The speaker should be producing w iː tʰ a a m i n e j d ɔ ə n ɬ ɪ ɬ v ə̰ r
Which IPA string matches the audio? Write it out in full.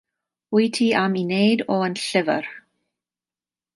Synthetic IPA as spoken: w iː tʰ i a m i n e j d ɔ ə n ɬ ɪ v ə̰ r